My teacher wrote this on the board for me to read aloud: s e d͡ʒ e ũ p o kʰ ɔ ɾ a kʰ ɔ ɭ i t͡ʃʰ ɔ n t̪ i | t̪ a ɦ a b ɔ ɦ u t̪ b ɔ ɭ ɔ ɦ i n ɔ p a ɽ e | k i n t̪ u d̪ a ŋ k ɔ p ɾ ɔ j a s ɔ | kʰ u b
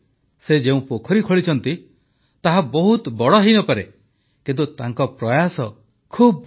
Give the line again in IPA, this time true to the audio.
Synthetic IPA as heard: s e d͡ʒ e ũ p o kʰ ɔ ɾ i kʰ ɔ ɭ i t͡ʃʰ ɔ n t̪ i | t̪ a ɦ a b ɔ ɦ u t̪ b ɔ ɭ ɔ ɦ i n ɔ p a ɾ e | k i n t̪ u t̪ a ŋ k ɔ p ɾ ɔ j a s ɔ | kʰ u b

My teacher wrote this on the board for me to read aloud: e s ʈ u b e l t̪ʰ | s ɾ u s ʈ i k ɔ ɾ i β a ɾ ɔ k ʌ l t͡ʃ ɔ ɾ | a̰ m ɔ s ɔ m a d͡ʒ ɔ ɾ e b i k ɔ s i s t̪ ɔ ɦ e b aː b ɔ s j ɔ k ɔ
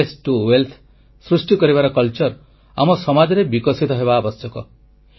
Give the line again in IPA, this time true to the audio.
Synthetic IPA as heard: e s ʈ u w e l t̪ʰ | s ɾ u s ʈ i k ɔ ɾ i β a ɾ ɔ k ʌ l t͡ʃ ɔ ɾ | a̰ m ɔ s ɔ m a d͡ʒ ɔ ɾ e b i k ɔ s i t̪ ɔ ɦ e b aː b ɔ s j ɔ k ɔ

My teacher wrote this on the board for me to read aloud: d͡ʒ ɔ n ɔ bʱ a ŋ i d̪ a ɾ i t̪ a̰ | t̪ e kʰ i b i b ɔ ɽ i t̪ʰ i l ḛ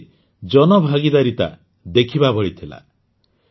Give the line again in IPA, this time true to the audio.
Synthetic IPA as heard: d͡ʒ ɔ n ɔ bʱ a ɡ i d̪ a ɾ i t̪ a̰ | d̪ e kʰ i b a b ɔ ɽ i t̪ʰ i l a̰

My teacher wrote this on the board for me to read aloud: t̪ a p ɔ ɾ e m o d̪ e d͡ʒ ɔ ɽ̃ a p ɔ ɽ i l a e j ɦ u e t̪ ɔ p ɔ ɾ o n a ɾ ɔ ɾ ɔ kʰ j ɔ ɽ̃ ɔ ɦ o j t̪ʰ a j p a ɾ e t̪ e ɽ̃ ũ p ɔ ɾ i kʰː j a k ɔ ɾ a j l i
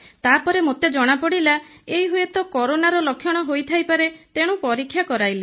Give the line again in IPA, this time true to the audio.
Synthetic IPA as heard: t̪ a p ɔ ɾ e m o t̪ e d͡ʒ ɔ ɽ̃ a p ɔ ɽ i l a e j ɦ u e t̪ ɔ k ɔ ɾ o n a ɾ ɔ l ɔ kʰ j ɔ ɽ̃ ɔ ɦ o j t̪ʰ a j p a ɾ e t̪ e ɽ̃ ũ p ɔ ɾ i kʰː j a k ɔ ɾ a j l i

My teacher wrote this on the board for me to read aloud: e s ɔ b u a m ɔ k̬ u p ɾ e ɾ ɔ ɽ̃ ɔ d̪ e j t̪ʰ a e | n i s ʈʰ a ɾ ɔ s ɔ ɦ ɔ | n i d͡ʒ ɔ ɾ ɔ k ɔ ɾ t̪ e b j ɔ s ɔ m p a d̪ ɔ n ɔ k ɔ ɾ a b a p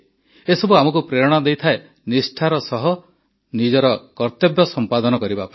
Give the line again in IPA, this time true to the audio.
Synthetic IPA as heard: e s ɔ b u a m ɔ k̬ u p ɾ e ɾ ɔ ɽ̃ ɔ d̪ e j t̪ʰ a e | n i s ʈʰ a ɾ ɔ s ɔ ɦ ɔ | n i d͡ʒ ɔ ɾ ɔ k ɔ ɾ t̪ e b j ɔ s ɔ m p a d̪ ɔ n ɔ k ɔ ɾ i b a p

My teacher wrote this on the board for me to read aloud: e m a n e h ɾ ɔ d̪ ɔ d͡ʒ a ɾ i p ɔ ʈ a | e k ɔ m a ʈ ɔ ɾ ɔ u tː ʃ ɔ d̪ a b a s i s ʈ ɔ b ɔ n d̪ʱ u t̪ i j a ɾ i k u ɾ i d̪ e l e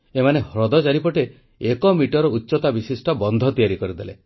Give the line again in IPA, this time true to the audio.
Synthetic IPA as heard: e m a n e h ɾ ɔ d̪ ɔ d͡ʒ a ɾ i p ɔ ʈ e | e k ɔ m i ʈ ɔ ɾ ɔ u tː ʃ ɔ t̪ a b i s i s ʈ ɔ b ɔ n d̪ʱ ɔ t̪ i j a ɾ i k ɔ ɾ i d̪ e l e

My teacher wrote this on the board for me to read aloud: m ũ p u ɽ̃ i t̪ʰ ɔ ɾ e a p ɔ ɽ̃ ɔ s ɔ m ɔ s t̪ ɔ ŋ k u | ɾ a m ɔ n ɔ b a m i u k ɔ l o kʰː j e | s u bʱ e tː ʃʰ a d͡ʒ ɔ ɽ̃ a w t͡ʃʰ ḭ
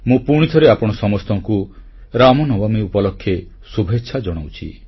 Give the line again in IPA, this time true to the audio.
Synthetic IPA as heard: m ũ p u ɽ̃ i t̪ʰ ɔ ɾ e a p ɔ ɽ̃ ɔ s ɔ m ɔ s t̪ ɔ ŋ k u | ɾ a m ɔ n ɔ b a m i u p ɔ l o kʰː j e | s u bʱ e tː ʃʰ a d͡ʒ ɔ ɽ̃ a w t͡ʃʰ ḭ

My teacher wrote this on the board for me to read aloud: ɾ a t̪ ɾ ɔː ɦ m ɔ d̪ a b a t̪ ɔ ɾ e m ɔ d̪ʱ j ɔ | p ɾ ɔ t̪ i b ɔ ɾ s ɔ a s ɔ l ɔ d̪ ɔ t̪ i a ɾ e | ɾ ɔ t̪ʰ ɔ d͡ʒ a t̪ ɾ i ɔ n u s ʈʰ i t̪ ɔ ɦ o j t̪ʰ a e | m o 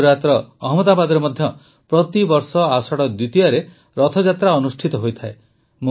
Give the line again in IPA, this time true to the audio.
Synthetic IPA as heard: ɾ a t̪ ɾ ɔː ɦ m ɔ d̪ a b a d̪ ɔ ɾ e m ɔ d̪ʱ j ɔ | p ɾ ɔ t̪ i b ɔ ɾ s ɔ a s ɔ ɽ ɔ d̪ u t̪ i a ɾ e | ɾ ɔ t̪ʰ ɔ d͡ʒ a t̪ ɾ a ɔ n u s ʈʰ i t̪ ɔ ɦ o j t̪ʰ a e | m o

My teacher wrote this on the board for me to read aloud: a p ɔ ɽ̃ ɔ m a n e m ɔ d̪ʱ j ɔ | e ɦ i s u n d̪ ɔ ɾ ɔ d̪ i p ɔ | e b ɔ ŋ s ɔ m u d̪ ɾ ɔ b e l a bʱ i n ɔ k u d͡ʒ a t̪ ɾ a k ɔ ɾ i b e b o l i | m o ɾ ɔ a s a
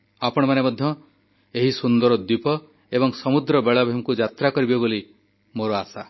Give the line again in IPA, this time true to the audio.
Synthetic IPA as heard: a p ɔ ɽ̃ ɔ m a n e m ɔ d̪ʱ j ɔ | e ɦ i s u n d̪ ɔ ɾ ɔ d̪ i p ɔ | e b ɔ ŋ s ɔ m u d̪ ɾ ɔ b e ɭ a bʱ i m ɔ k u d͡ʒ a t̪ ɾ a k ɔ ɾ i b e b o l i | m o ɾ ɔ a s a

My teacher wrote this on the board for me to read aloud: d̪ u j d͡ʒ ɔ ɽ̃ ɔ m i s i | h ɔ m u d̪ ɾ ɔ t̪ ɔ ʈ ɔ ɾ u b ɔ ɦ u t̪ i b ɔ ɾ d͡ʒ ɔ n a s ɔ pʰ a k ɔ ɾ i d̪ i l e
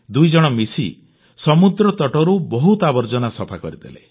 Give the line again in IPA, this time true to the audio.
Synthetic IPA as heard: d̪ u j d͡ʒ ɔ ɽ̃ ɔ m i s i | s ɔ m u d̪ ɾ ɔ t̪ ɔ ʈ ɔ ɾ u b ɔ ɦ u t̪ a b ɔ ɾ d͡ʒ ɔ n a s ɔ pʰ a k ɔ ɾ i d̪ e l e

